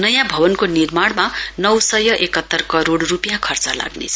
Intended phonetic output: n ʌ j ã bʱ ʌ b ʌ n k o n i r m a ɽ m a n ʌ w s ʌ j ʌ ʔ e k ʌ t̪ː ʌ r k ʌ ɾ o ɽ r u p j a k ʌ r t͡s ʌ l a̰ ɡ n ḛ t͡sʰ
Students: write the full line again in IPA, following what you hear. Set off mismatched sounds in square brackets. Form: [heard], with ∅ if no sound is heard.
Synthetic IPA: n ʌ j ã bʱ ʌ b ʌ n k o n i r m a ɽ m a n ʌ w s ʌ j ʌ ʔ e k ʌ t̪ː ʌ r k ʌ ɾ o ɽ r u p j a [kʰ] ʌ r t͡s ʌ l a̰ ɡ n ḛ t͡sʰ

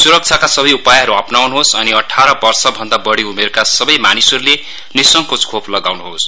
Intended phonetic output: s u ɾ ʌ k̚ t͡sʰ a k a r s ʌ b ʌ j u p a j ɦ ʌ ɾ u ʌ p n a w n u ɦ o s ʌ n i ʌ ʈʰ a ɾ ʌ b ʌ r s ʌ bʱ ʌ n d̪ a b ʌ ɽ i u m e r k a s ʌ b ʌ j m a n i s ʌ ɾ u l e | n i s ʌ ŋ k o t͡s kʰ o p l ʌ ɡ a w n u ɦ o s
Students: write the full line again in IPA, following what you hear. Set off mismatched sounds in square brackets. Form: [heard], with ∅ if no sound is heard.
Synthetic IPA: s u ɾ ʌ k̚ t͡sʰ a k a [∅] s ʌ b ʌ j u p a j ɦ ʌ ɾ u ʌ p n a w n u ɦ o s ʌ n i ʌ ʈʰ a ɾ ʌ b ʌ r s ʌ bʱ ʌ n d̪ a b ʌ ɽ i u m e r k a s ʌ b ʌ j m a n i s ʌ ɾ u l e | n i s ʌ ŋ k o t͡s kʰ o p l ʌ ɡ a w n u ɦ o s

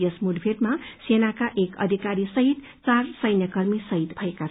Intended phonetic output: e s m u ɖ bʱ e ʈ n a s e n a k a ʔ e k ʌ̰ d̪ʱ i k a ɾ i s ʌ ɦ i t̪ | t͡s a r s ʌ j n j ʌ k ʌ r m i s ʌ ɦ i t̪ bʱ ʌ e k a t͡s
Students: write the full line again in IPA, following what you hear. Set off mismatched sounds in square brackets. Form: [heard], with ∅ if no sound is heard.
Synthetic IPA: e s m u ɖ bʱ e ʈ [m] a s e n a k a ʔ e k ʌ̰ d̪ʱ i k a ɾ i s ʌ ɦ i t̪ | t͡s a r s ʌ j n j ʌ k ʌ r m i s ʌ ɦ i t̪ bʱ ʌ e k a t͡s

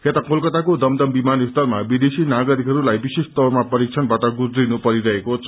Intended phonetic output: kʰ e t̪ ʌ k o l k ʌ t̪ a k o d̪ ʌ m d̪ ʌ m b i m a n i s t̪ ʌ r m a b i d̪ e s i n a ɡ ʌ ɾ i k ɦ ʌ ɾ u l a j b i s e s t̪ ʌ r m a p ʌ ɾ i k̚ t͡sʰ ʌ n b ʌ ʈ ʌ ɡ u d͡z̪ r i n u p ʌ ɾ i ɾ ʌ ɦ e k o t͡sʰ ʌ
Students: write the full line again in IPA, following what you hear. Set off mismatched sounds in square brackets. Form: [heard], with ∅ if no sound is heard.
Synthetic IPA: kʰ e t̪ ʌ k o l k ʌ t̪ a k o d̪ ʌ m d̪ ʌ m b i m a n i s t̪ ʌ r m a b i d̪ e s i n a ɡ ʌ ɾ i k ɦ ʌ ɾ u l a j b i s e s t̪ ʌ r m a p ʌ ɾ i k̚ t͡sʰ ʌ n b [a] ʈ ʌ ɡ u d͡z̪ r i n u p ʌ ɾ i ɾ ʌ ɦ e k o t͡sʰ ʌ

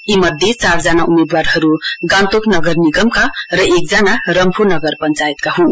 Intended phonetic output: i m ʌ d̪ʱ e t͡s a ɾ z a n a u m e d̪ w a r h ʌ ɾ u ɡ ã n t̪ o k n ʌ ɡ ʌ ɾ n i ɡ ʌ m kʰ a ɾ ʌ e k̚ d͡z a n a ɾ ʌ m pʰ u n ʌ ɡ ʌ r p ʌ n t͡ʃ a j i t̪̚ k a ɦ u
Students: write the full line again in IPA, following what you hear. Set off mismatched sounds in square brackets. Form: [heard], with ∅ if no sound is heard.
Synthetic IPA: i m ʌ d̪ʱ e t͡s a ɾ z a n a u m e d̪ w a [ɾ] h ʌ ɾ u ɡ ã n t̪ o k n ʌ ɡ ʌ ɾ n i ɡ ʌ m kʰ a ɾ ʌ e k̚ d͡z a n a ɾ ʌ m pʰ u n ʌ ɡ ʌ [ɾ] p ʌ n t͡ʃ a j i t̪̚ k a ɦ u

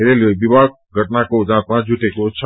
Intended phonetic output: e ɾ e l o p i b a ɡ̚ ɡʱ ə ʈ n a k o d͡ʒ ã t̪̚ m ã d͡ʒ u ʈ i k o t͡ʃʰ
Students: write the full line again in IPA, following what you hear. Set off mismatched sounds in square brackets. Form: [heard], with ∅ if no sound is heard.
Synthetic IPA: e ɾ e l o [b] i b a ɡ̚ ɡʱ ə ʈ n a k o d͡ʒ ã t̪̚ m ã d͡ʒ u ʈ [e] k o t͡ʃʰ

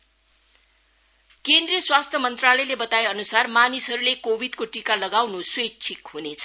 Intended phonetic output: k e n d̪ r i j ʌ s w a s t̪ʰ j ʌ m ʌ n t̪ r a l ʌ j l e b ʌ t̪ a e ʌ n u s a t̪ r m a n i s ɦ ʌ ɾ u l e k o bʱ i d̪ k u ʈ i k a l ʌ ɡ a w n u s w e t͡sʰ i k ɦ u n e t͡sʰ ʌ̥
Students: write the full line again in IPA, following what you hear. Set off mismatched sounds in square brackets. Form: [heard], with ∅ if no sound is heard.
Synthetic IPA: k e n d̪ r i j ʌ s w a s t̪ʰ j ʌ m ʌ n t̪ r a l ʌ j l e b ʌ t̪ a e ʌ n u s a [∅] r m a n i s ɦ ʌ ɾ u l e k o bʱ i d̪ k [o] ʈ i k a l ʌ ɡ a w n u s w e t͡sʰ i k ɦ u n e t͡sʰ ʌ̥

